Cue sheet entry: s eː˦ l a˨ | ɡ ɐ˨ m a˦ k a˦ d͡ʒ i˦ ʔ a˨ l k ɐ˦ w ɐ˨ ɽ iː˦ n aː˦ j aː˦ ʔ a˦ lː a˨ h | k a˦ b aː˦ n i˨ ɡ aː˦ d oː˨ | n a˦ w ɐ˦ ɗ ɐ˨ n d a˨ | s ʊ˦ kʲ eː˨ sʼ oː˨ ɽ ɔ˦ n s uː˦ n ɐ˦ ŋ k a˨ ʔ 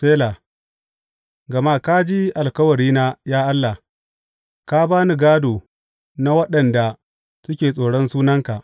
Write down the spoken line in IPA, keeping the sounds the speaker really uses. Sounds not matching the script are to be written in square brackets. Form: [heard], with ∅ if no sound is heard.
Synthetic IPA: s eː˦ l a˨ | ɡ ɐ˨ m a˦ k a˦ d͡ʒ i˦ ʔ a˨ l k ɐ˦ w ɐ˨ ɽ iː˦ n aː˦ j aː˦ ʔ a˦ lː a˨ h | k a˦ b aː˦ n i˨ ɡ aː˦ d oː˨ | n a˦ w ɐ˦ ɗ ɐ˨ n d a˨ | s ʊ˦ kʲ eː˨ sʼ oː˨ ɽ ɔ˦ n s uː˦ n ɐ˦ ŋ k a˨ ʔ

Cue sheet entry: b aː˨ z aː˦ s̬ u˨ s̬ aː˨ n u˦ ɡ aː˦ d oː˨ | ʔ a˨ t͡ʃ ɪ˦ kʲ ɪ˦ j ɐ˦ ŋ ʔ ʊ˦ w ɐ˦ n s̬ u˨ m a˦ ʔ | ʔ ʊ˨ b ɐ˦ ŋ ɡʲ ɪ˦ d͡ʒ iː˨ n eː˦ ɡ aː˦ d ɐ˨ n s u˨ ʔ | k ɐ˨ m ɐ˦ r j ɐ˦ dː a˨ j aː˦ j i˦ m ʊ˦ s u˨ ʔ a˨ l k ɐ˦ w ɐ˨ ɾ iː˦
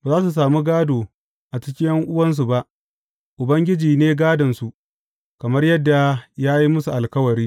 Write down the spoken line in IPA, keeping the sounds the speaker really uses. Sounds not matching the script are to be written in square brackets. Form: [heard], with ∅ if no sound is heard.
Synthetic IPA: b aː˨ z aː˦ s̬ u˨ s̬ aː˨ [m] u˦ ɡ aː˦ d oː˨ | ʔ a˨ t͡ʃ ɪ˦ kʲ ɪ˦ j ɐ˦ ŋ ʔ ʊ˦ w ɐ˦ n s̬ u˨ [b] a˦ ʔ | ʔ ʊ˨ b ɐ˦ ŋ ɡʲ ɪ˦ d͡ʒ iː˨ n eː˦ ɡ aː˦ d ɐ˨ n s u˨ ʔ | k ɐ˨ m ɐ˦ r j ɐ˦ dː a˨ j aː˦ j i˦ m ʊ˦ s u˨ ʔ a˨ l k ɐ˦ w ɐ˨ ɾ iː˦

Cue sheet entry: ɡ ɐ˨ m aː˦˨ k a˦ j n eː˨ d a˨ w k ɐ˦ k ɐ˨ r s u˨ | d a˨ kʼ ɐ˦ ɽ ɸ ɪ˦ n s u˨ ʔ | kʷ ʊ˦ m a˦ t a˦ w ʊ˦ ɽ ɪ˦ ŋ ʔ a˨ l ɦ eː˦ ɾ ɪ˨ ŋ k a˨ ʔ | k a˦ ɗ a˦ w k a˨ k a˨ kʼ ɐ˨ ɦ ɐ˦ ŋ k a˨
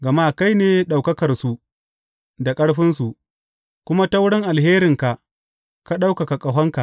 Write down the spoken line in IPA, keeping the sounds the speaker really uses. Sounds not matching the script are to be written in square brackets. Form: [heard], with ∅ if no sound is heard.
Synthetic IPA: ɡ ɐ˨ m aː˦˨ k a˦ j n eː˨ [ɗ] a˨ w k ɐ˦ k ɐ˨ r s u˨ | d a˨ kʼ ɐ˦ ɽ ɸ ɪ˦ n s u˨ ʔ | kʷ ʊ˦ m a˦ t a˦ w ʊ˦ ɽ ɪ˦ ŋ ʔ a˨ l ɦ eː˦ ɾ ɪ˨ ŋ k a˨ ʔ | k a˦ ɗ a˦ w k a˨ k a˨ kʼ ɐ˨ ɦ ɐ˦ ŋ k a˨

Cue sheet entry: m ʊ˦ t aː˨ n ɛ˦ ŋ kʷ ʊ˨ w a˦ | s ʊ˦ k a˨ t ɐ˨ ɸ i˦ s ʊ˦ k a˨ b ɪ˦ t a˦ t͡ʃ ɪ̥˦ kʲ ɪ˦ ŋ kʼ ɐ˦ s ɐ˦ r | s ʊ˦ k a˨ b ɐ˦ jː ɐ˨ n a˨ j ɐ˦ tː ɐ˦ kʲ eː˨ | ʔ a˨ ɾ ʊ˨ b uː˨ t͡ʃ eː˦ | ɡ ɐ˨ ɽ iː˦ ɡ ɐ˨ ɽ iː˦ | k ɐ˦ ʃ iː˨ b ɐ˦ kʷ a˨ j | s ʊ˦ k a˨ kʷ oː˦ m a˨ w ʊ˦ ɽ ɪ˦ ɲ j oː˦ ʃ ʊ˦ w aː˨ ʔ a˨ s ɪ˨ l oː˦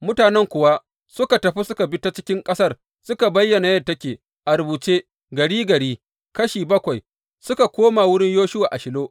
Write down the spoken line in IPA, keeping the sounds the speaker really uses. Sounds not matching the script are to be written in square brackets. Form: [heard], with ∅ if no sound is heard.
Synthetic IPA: m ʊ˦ t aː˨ n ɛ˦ ŋ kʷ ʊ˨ w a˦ | s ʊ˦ k a˨ t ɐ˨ ɸ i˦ s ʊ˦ k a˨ b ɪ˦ t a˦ t͡ʃ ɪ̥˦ kʲ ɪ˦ ŋ kʼ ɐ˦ s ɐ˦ r | s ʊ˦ k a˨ b ɐ˦ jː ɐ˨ n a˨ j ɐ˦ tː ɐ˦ kʲ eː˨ | ʔ a˨ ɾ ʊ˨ b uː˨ t͡ʃ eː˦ | ɡ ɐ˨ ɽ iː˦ ɡ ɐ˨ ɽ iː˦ | k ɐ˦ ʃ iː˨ b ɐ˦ kʷ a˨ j | s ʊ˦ k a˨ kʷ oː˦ m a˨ w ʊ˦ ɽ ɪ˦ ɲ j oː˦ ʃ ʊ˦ w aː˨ ʔ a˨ [ʃ] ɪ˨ l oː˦

